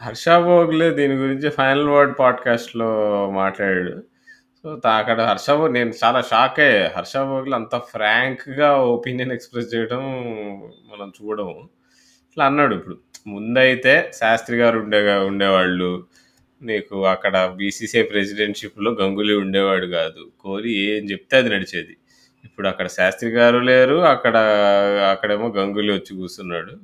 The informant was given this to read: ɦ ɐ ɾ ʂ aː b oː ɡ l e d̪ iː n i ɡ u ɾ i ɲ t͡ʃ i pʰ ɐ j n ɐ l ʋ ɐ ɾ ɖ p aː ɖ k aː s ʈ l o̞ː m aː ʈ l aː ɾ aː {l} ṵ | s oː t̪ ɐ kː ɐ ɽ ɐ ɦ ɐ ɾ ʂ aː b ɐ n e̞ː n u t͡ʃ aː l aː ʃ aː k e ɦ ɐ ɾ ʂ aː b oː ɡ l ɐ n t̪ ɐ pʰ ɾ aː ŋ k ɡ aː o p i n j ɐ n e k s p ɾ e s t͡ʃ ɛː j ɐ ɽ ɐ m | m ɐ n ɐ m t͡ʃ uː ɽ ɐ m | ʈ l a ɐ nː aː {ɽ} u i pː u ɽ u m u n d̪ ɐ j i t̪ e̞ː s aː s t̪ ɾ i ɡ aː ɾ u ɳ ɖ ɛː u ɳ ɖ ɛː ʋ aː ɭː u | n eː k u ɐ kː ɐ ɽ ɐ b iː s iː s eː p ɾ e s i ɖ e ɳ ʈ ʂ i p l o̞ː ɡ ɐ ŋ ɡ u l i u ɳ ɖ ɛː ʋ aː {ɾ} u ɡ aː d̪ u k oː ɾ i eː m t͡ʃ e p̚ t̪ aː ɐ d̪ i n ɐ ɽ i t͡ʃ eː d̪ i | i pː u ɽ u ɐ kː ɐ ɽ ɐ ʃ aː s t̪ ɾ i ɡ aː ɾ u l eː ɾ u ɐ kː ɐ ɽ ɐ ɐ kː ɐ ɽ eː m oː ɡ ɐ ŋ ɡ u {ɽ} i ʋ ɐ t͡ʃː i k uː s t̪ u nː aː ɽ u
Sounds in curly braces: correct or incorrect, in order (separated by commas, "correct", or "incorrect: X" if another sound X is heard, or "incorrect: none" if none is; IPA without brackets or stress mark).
incorrect: ɽ, correct, incorrect: ɽ, incorrect: l